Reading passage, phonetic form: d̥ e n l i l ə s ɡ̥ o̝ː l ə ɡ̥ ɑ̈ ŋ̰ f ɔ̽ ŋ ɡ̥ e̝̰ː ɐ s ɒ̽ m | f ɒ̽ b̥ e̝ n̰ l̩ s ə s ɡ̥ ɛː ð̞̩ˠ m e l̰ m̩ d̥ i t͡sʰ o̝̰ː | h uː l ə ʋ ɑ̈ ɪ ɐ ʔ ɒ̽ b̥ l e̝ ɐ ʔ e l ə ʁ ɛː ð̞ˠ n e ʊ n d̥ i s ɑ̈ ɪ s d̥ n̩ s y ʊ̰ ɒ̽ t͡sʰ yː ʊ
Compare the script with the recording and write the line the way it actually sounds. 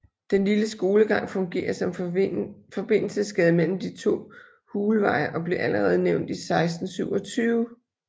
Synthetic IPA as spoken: d̥ e n l i l ə s ɡ̥ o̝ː l ə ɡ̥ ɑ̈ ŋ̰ f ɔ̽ ŋ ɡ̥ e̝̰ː ɐ s ɒ̽ m | f ɒ̽ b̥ e̝ n̰ l̩ s ə s ɡ̥ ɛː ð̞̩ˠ m e l̰ m̩ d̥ i t͡sʰ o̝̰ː | h uː l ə ʋ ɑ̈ ɪ ɐ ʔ ɒ̽ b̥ l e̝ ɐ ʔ æ l ə ʁ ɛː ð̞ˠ n e ʊ n d̥ i s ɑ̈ ɪ s d̥ n̩ s y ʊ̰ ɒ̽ t͡sʰ yː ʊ